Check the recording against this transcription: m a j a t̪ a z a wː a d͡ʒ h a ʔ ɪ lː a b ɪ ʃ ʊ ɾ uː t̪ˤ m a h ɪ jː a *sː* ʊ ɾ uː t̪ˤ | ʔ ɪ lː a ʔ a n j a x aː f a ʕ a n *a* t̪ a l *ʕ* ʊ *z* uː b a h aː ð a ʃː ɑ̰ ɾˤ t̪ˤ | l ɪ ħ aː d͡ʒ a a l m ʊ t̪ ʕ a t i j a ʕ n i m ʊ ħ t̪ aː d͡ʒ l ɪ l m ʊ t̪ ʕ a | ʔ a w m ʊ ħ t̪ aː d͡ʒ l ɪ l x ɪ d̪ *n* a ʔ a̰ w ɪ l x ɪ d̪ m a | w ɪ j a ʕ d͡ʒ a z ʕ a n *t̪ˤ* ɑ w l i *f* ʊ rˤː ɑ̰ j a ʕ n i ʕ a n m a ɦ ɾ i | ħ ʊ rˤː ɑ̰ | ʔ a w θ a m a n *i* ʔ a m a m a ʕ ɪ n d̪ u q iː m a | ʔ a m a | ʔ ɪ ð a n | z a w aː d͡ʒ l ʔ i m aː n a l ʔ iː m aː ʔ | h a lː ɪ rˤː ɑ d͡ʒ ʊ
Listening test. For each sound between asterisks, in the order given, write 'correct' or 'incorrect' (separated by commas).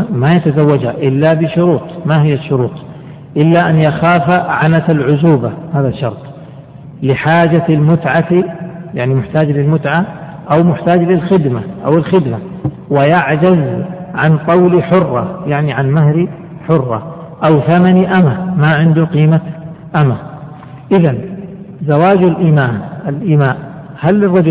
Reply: incorrect, correct, correct, correct, incorrect, correct, incorrect, correct